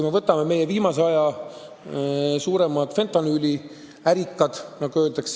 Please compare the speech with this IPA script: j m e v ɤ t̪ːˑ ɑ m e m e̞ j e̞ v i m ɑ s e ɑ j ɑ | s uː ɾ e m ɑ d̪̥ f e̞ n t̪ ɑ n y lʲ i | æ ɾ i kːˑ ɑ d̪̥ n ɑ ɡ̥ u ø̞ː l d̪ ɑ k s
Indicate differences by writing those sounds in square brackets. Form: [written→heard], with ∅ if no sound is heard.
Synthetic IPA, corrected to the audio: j m e v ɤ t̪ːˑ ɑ m e m e̞ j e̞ v [i→iː] m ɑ s e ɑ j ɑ | s uː ɾ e m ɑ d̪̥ f e̞ n t̪ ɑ n y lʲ i | æ ɾ i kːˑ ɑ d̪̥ n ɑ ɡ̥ u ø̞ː l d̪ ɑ k s

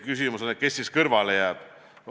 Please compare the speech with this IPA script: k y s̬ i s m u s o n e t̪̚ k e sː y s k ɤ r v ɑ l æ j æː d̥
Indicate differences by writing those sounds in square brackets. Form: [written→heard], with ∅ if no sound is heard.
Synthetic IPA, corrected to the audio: k y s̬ i [s→∅] m u s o n e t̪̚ k e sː [y→i] s k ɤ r v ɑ l [æ→e] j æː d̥

